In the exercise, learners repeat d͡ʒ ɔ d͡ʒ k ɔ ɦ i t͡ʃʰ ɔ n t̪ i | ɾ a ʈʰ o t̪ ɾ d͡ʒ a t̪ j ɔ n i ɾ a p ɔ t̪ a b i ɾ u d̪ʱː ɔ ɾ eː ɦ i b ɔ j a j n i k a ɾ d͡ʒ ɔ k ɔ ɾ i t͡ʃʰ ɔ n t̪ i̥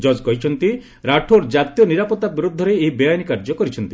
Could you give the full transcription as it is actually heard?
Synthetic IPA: d͡ʒ ɔ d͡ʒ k ɔ ɦ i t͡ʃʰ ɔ n t̪ i | ɾ a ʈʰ o ɾ d͡ʒ a t̪ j ɔ n i ɾ a p ɔ t̪ a b i ɾ u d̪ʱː ɔ ɾ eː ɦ i b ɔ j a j n i k a ɾ d͡ʒ ɔ k ɔ ɾ i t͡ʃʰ ɔ n t̪ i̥